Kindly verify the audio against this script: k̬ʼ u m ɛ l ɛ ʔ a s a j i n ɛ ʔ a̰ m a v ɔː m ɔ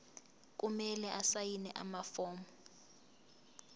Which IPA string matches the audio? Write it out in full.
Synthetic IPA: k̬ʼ u m ɛ l ɛ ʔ a s a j i n ɛ ʔ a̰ m a f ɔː m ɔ

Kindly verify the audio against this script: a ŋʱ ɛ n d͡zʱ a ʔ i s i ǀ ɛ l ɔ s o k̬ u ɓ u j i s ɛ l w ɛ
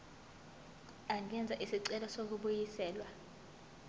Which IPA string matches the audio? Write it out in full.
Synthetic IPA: a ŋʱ ɛ n d͡zʱ a ʔ i s i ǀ ɛ l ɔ s o k̬ u ɓ u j i s ɛː l w a

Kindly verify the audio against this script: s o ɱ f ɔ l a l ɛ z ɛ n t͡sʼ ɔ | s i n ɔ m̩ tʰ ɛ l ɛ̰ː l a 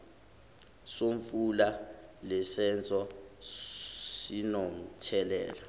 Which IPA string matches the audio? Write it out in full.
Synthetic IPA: s o ɱ f u l a l ɛ s ɛ n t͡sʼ ɔ | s i n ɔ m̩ tʰ ɛ l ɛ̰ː l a

